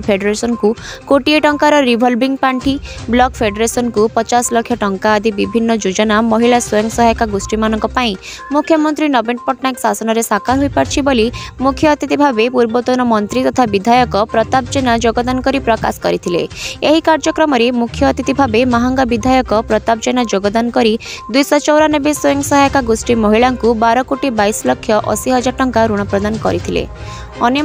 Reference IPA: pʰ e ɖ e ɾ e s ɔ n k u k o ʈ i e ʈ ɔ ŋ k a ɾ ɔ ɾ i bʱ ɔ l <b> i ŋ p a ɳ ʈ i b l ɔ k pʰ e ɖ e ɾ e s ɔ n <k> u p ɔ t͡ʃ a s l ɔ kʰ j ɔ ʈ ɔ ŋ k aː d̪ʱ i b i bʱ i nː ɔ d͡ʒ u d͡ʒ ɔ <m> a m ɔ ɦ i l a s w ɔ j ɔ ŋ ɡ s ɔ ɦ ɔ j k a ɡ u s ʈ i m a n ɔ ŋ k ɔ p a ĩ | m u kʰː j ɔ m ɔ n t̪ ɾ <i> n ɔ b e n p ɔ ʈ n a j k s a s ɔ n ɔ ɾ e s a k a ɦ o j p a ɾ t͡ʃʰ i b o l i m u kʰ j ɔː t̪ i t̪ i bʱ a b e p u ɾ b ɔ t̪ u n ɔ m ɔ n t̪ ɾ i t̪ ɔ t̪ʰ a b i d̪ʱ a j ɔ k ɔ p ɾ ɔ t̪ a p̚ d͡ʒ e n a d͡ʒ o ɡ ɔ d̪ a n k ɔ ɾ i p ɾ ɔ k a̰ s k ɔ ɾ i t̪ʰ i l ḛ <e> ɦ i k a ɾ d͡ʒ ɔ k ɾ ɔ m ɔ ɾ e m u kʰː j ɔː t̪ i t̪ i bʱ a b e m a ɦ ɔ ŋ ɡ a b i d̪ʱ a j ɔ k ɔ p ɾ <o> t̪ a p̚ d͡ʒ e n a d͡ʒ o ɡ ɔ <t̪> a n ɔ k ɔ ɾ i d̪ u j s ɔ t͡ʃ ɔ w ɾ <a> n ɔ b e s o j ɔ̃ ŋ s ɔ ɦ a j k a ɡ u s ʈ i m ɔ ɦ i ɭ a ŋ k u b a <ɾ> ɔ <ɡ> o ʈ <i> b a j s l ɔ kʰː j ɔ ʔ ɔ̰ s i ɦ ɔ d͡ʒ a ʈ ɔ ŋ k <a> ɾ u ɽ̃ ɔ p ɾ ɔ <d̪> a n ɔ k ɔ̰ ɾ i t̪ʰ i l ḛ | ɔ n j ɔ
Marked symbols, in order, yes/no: yes, yes, no, yes, yes, no, no, yes, yes, no, yes, yes, yes

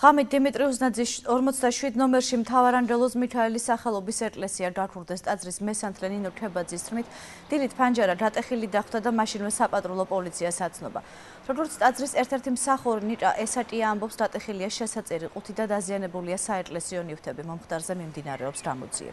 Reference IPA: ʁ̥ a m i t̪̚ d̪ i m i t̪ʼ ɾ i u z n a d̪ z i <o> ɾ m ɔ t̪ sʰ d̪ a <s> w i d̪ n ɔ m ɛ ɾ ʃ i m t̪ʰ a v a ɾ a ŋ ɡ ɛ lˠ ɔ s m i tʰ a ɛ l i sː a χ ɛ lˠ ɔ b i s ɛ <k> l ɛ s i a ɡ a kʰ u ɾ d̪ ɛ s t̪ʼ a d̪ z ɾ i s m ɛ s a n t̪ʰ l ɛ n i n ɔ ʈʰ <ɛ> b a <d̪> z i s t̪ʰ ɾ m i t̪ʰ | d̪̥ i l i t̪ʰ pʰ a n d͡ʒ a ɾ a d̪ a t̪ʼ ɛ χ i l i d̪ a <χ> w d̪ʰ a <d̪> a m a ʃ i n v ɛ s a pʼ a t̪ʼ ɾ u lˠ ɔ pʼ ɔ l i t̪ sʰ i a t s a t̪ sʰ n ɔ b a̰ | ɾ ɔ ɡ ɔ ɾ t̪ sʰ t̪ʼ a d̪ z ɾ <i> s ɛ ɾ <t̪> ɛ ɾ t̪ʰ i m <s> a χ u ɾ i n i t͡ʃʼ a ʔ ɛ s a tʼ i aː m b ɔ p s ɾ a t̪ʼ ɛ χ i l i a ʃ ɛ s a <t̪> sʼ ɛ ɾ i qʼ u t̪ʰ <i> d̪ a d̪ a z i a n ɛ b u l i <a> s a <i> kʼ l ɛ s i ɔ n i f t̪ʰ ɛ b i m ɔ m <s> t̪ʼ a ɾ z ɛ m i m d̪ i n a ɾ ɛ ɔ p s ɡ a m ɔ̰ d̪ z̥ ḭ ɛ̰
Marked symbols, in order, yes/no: no, no, no, yes, yes, yes, yes, yes, no, yes, yes, yes, yes, no, no

